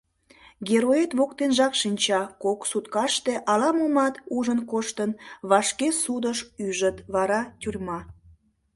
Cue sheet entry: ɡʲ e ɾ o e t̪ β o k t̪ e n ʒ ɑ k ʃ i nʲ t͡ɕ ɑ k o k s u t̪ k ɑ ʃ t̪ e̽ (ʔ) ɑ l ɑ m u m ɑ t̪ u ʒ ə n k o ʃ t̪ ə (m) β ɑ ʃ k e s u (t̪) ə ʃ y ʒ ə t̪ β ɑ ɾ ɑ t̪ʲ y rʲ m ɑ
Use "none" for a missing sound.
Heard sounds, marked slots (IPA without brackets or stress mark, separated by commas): ʔ, n, d̪